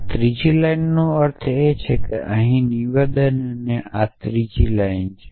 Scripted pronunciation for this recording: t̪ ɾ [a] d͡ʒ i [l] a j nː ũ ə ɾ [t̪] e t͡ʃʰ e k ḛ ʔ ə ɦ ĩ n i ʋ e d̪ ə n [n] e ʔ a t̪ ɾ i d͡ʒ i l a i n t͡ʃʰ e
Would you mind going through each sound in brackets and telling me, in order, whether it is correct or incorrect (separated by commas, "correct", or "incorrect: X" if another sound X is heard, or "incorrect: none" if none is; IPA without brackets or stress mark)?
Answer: incorrect: i, correct, incorrect: t̪ʰ, correct